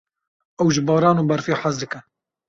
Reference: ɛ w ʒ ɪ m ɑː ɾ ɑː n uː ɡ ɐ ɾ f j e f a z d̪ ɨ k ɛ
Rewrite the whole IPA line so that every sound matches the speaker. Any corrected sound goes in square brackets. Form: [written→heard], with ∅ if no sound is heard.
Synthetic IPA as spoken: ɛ w ʒ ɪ [m→b] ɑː ɾ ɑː n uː [ɡ→b] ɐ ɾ f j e [f→ħ] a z d̪ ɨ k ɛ

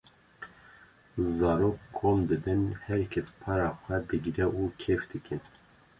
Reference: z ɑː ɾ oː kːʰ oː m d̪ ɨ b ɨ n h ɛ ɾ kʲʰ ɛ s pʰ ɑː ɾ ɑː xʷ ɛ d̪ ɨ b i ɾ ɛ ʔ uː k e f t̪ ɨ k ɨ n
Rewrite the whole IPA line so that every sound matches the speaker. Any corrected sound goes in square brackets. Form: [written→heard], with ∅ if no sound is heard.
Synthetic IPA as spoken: z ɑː ɾ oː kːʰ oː m d̪ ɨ b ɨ n h ɛ ɾ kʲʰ ɛ s pʰ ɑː ɾ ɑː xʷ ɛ d̪ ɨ [b→ɡ] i ɾ ɛ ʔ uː [k→kʰ] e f [t̪→d̪] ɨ k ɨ n

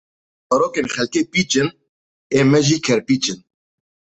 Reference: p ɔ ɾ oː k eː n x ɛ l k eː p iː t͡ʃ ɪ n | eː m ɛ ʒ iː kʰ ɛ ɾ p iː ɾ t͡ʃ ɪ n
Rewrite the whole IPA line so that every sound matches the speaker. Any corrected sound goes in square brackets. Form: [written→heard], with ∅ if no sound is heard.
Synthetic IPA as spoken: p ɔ ɾ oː k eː n x ɛ l k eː p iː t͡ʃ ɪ n | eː m ɛ ʒ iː kʰ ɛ ɾ p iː [ɾ→∅] t͡ʃ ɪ n

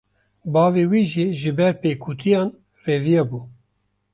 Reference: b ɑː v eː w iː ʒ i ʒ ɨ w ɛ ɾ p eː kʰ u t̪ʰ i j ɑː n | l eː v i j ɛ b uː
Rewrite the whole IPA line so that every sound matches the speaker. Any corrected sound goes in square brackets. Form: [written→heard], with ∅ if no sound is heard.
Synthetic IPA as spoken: b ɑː v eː w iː ʒ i ʒ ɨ [w→b] ɛ ɾ p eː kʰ u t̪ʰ i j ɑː n | [l→r] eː v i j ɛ b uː

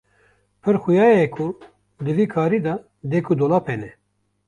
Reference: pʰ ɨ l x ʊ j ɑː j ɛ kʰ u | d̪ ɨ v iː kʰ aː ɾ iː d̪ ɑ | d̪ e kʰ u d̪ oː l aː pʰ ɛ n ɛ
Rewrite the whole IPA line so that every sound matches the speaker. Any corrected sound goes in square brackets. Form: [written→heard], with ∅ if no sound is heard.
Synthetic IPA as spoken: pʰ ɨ [l→ɾ] x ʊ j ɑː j ɛ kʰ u | d̪ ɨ v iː kʰ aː ɾ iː d̪ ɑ | d̪ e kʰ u d̪ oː l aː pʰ ɛ n ɛ

